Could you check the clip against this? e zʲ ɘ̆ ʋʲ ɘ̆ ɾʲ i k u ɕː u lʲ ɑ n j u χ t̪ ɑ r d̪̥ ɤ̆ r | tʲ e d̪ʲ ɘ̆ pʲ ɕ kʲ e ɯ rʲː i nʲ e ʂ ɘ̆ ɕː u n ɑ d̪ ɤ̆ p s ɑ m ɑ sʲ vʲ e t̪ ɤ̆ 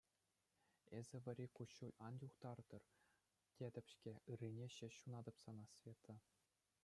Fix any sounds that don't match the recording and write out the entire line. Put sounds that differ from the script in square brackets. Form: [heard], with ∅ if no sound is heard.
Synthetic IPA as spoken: e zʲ ɘ̆ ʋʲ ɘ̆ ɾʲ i k u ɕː u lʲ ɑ n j u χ t̪ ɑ r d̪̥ ɤ̆ r | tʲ e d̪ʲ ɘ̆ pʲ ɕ kʲ e ɯ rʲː i nʲ e [ɕ] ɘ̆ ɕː u n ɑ d̪ ɤ̆ p s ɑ [n] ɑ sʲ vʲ e t̪ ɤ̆